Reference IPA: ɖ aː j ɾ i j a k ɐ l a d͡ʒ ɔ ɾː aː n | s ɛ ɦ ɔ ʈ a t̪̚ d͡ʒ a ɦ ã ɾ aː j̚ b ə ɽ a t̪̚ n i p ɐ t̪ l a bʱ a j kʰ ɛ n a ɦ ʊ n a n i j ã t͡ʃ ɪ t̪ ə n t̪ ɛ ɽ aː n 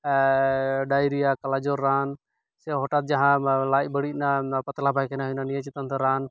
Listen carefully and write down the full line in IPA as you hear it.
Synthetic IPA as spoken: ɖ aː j ɾ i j a k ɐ l a d͡ʒ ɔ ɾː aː n | s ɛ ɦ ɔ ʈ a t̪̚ d͡ʒ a ɦ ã l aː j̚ b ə ɽ i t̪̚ n a p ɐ t̪ l a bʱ a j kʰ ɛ n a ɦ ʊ n a n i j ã t͡ʃ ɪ t̪ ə n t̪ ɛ ɾ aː n